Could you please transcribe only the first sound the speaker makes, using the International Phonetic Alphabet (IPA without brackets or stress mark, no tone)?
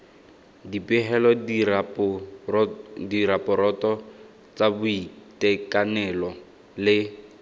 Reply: d